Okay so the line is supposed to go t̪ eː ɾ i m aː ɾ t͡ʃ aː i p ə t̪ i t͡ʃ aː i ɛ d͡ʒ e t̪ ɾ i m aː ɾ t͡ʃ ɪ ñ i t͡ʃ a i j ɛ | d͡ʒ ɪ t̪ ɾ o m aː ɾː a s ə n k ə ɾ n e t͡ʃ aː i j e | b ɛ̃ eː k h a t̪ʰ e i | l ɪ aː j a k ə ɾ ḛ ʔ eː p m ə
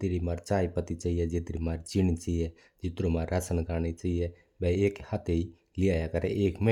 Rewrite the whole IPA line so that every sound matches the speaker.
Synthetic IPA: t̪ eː ɾ i m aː ɾ t͡ʃ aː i p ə t̪ i t͡ʃ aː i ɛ d͡ʒ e t̪ ɾ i m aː ɾ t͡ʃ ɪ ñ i t͡ʃ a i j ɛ | d͡ʒ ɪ t̪ ɾ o m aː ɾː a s ə n k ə ɾ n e t͡ʃ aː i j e | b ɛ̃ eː k h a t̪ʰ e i | l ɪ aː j a k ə ɾ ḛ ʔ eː k m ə